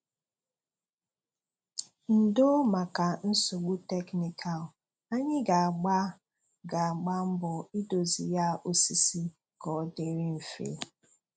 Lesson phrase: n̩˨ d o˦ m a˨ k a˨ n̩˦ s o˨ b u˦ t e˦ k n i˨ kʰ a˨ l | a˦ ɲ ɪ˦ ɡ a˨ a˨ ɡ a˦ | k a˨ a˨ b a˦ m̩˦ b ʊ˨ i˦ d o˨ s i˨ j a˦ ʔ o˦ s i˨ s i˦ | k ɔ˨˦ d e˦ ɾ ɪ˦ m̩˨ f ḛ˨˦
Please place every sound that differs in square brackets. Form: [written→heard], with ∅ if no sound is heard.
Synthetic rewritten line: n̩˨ d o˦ m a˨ k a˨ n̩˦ s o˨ [b→ɡ͡b] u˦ t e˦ k n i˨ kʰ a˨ l | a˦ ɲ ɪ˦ ɡ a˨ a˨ [ɡ→ɡ͡b] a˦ | [k→ɡ] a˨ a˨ [b→ɡ͡b] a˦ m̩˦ b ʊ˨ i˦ d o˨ [s→z] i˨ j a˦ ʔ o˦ s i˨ s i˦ | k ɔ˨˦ d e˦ ɾ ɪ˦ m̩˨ f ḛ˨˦